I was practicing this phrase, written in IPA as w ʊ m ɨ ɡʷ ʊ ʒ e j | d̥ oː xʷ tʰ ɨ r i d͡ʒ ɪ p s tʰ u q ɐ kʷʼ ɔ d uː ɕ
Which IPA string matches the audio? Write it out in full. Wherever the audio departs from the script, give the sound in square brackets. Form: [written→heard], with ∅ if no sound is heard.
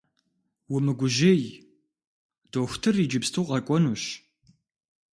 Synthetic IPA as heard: w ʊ m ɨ ɡʷ ʊ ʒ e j | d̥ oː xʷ tʰ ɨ r i d͡ʒ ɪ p s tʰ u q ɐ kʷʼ ɔ [d→n] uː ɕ